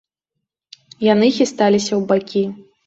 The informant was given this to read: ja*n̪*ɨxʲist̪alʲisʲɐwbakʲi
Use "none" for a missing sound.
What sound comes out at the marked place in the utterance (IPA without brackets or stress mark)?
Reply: n̪